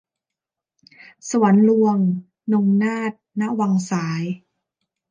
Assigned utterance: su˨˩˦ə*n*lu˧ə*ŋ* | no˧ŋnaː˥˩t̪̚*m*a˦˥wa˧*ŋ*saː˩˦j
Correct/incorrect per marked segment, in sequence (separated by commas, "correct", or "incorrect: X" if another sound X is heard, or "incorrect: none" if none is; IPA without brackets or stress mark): correct, correct, incorrect: n, correct